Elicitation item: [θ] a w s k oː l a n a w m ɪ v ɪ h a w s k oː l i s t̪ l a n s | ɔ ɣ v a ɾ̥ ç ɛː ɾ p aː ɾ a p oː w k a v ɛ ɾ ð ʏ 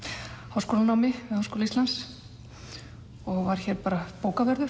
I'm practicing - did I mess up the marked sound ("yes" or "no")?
yes